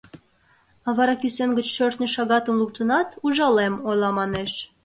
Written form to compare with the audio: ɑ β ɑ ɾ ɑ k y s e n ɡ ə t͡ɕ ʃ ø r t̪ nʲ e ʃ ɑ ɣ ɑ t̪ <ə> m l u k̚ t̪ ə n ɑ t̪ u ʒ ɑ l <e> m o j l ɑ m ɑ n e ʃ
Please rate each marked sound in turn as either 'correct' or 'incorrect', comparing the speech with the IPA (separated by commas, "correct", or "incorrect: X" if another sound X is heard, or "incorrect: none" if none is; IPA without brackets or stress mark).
correct, correct